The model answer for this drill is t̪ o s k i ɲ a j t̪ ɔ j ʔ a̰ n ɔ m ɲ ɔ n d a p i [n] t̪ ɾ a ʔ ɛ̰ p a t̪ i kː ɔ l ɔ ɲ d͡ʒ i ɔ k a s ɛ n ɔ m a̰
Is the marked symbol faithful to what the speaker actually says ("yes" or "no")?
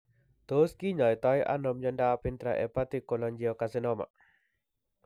yes